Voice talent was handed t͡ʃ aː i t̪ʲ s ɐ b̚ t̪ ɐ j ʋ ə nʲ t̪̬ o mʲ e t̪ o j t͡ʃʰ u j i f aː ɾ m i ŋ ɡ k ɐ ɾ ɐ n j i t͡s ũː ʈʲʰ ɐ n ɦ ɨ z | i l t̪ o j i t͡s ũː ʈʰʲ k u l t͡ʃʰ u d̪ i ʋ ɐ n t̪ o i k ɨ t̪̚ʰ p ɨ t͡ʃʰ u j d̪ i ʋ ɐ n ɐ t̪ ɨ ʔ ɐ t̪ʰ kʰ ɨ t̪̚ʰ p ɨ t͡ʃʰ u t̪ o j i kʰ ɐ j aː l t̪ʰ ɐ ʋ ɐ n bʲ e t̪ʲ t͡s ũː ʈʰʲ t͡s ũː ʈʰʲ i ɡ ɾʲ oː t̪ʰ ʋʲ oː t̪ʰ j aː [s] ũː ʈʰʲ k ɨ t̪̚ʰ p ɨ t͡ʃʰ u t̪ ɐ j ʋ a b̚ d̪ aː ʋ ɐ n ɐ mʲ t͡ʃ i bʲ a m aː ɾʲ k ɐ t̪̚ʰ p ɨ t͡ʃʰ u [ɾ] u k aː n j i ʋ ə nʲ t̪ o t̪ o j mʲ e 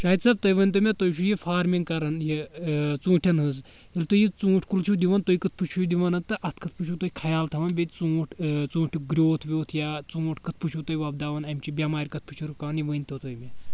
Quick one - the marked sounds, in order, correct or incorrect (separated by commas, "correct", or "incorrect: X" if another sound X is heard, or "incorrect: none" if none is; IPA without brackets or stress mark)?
incorrect: t͡s, correct